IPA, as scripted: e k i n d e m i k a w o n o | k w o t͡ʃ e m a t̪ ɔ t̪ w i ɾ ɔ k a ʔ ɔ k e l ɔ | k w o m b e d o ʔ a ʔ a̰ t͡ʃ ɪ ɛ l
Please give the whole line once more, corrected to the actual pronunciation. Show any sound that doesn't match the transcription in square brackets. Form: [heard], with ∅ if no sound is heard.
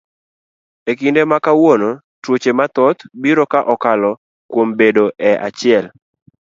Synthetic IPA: e k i n d e m [a] k a w o n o | [t] w o t͡ʃ e m a t̪ ɔ t̪ [b] i ɾ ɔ k a ʔ ɔ k [a] l ɔ | k w o m b e d o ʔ [ɛ] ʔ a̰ t͡ʃ ɪ ɛ l